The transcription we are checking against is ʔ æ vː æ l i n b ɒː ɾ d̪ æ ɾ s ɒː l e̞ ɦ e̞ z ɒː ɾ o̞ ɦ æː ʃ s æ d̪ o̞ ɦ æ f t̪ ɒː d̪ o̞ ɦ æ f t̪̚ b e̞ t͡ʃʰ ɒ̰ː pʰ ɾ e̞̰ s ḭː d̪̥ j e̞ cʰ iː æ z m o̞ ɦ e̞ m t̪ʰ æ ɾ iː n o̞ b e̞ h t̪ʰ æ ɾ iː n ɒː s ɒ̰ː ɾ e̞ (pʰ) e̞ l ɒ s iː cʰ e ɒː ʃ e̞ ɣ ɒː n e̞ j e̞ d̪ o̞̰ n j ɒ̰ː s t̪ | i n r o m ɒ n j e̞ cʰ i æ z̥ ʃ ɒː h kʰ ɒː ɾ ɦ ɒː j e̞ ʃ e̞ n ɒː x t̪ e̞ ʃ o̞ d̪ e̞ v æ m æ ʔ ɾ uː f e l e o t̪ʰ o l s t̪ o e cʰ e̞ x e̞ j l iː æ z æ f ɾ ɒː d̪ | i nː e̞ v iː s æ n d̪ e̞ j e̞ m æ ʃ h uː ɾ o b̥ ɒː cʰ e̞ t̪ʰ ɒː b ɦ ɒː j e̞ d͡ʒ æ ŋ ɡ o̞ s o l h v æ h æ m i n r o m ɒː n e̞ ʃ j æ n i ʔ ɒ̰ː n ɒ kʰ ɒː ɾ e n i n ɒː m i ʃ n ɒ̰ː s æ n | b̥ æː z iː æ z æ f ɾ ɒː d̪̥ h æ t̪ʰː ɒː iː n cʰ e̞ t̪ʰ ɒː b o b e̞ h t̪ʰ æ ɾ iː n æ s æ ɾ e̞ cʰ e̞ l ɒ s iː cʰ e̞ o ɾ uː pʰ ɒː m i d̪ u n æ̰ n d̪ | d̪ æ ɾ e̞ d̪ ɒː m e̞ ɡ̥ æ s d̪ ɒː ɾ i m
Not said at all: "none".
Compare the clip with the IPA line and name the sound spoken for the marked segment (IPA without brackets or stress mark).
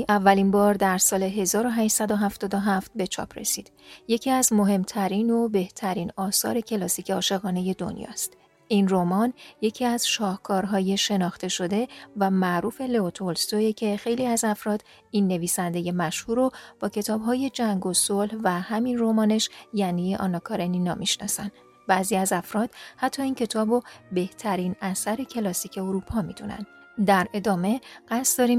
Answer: cʰ